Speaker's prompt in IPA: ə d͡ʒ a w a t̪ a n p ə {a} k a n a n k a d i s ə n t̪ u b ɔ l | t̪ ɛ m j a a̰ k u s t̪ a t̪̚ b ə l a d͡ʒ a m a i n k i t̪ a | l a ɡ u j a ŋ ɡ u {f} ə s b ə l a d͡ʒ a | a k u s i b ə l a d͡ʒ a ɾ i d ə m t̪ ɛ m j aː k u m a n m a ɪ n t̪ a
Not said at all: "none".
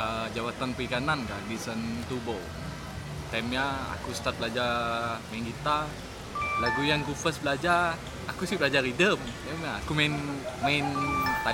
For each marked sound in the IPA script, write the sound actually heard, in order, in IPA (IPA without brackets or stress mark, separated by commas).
i, f